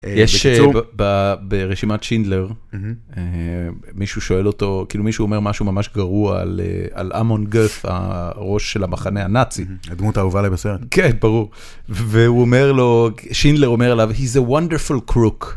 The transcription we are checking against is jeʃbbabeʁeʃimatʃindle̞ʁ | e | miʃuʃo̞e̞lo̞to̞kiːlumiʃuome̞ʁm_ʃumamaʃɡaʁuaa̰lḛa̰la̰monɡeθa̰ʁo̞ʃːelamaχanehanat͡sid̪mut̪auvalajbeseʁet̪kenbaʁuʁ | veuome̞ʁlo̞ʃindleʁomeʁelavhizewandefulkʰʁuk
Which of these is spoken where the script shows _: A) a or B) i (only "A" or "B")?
A